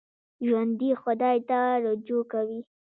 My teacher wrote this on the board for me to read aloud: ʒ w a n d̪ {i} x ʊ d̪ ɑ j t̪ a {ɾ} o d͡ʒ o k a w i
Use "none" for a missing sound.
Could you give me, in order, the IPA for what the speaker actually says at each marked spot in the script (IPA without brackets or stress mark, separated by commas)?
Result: i, ɾ